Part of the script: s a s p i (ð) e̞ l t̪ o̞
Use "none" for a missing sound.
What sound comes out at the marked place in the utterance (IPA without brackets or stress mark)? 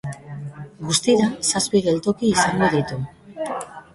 ɣ